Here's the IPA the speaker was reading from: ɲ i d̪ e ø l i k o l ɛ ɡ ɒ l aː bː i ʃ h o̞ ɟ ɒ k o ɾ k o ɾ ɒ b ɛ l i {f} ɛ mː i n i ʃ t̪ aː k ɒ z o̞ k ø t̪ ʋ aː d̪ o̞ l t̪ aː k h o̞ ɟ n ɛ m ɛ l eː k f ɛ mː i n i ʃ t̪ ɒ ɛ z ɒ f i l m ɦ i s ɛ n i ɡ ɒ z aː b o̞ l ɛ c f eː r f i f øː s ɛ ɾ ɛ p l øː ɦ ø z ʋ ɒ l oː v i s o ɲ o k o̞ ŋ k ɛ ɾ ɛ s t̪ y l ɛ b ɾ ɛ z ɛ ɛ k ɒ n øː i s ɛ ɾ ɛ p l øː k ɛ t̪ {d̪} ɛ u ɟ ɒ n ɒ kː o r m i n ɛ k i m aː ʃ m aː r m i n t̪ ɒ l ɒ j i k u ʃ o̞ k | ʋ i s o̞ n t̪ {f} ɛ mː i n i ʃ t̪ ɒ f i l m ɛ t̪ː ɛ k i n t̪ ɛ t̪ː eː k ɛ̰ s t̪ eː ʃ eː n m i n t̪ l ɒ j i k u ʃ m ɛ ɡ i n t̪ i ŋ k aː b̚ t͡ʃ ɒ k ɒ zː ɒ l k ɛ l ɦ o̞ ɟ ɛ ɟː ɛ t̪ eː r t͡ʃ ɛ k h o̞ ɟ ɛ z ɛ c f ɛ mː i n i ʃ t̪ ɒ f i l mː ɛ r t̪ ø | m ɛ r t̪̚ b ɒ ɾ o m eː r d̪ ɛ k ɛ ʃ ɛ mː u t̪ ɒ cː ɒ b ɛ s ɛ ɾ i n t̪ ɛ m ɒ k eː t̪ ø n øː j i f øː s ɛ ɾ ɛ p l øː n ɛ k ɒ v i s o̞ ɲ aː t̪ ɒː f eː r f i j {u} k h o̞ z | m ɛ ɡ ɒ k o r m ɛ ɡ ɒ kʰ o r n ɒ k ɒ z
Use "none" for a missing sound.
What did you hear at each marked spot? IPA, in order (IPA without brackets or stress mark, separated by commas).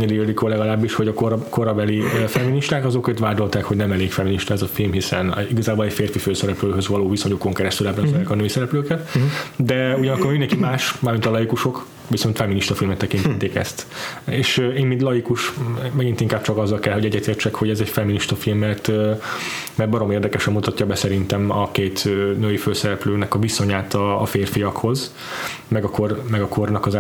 f, d̪, f, ɒ